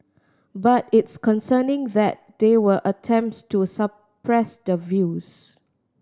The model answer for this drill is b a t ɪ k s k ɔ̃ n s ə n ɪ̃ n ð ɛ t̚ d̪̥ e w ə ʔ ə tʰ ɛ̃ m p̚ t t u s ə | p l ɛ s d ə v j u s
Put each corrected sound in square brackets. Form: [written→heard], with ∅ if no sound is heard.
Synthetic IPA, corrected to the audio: b a t ɪ [k→t] s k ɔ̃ n s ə n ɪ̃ [n→ŋ] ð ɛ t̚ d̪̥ e w ə ʔ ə tʰ ɛ̃ m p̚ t t u s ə | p [l→ɹ] ɛ s d ə v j u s